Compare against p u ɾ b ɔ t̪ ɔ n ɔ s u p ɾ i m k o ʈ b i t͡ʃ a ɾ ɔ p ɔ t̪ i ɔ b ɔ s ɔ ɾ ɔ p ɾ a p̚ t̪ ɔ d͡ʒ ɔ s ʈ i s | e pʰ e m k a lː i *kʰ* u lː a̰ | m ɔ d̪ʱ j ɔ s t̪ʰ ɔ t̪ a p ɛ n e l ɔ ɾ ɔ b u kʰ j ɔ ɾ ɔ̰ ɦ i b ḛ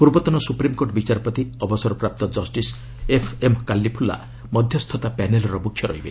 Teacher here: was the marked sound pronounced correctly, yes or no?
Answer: no